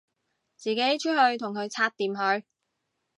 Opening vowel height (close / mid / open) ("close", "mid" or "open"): close